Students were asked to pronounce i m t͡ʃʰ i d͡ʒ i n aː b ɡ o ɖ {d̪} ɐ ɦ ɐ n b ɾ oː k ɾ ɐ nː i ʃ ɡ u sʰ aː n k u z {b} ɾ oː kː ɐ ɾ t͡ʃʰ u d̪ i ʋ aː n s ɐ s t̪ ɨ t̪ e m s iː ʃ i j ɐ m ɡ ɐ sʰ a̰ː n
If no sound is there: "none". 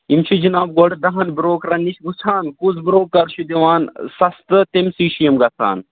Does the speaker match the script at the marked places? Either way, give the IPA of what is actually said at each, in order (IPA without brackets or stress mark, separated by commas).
d̪, b